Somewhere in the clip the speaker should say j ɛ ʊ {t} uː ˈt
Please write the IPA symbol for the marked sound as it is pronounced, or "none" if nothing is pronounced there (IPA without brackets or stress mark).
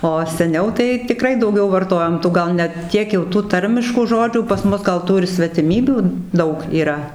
t